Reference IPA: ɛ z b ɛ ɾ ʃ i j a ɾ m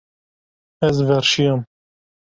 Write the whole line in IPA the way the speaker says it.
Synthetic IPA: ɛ z v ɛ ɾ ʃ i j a m